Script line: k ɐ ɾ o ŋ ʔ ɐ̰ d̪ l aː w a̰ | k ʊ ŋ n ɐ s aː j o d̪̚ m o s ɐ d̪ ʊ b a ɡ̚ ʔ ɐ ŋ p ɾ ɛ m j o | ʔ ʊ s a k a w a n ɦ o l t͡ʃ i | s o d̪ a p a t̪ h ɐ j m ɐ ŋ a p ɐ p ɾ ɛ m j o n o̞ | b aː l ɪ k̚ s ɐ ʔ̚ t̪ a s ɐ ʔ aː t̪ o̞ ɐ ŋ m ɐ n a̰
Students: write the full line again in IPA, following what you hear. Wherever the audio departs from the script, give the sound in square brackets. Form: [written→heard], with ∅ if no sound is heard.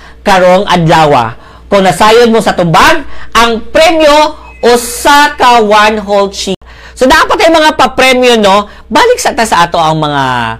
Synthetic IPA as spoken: k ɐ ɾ o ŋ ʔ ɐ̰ d̪ l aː w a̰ | k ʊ ŋ n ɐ s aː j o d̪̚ m o s ɐ [d̪→t̪] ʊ b a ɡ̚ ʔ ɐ ŋ p ɾ ɛ m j o | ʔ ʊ s a k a w a n ɦ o l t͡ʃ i | s o d̪ a p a t̪ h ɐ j m ɐ ŋ a p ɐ p ɾ ɛ m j o n o̞ | b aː l ɪ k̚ s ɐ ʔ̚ t̪ a s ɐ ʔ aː t̪ o̞ ɐ ŋ m ɐ [n→ŋ] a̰